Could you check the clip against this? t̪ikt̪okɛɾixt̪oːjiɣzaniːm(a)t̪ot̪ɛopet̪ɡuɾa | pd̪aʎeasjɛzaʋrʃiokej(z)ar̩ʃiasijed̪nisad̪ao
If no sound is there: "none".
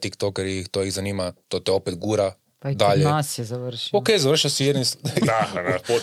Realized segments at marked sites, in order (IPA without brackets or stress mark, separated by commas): a, z